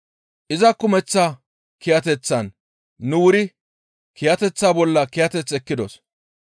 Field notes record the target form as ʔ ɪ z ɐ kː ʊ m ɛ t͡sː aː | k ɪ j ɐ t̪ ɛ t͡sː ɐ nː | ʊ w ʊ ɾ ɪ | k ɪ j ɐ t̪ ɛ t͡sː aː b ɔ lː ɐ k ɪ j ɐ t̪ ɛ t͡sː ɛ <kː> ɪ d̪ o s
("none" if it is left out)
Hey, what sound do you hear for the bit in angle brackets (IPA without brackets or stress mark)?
kː